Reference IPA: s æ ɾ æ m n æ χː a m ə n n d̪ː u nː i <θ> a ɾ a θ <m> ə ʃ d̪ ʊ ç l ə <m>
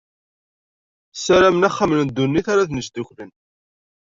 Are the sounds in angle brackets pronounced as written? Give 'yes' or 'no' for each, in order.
yes, no, no

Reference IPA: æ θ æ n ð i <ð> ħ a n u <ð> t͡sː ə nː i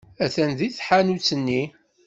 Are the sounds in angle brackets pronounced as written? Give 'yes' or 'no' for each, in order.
no, no

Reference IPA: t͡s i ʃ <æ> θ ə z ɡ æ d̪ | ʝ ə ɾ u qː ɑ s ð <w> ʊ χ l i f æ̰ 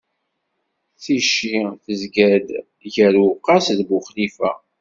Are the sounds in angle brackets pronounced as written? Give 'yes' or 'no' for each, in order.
no, no

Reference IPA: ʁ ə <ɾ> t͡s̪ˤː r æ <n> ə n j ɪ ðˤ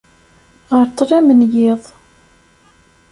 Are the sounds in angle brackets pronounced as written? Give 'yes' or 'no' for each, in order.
yes, no

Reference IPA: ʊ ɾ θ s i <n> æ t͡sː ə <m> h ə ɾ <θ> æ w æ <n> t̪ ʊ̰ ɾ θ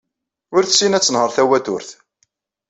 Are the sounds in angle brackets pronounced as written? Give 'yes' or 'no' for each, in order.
yes, no, yes, no

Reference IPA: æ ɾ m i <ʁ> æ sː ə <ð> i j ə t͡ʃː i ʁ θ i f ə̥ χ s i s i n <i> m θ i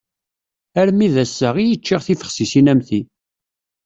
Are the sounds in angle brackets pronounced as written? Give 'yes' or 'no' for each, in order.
no, no, no

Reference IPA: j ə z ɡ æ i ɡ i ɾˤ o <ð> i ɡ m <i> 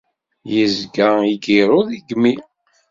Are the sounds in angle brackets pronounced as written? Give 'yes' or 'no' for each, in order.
yes, yes

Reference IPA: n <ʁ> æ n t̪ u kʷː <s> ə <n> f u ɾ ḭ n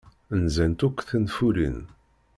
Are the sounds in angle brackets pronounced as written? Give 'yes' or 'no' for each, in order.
no, no, yes

